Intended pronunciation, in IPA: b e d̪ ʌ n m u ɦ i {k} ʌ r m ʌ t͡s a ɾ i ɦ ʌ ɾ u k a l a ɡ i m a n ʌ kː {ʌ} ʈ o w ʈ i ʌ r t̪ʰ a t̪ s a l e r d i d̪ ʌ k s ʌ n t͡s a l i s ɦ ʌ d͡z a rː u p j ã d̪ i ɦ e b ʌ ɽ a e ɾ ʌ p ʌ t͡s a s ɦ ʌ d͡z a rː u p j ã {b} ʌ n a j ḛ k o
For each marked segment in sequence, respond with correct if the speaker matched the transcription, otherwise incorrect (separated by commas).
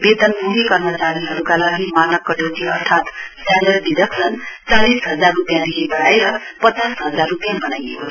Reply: correct, correct, correct